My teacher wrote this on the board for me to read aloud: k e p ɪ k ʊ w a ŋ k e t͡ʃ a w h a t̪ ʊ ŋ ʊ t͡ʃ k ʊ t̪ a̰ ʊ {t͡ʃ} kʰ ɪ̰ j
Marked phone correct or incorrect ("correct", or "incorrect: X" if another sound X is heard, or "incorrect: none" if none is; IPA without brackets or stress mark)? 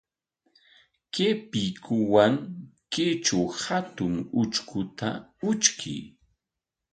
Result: correct